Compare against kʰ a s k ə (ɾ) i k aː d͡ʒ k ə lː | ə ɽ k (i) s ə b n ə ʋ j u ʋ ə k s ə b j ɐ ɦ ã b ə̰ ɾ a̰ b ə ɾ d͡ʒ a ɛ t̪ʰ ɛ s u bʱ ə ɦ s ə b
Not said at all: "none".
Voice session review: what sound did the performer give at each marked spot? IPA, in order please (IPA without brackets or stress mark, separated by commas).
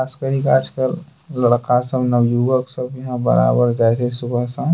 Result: ɾ, a